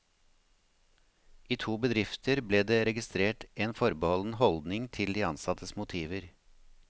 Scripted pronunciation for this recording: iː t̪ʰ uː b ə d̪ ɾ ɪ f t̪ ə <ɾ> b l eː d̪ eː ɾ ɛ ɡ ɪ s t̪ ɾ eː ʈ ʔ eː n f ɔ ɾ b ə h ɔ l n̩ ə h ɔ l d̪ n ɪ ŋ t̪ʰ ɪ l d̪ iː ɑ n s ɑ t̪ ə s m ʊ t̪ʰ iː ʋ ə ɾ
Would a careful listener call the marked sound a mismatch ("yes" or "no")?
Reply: no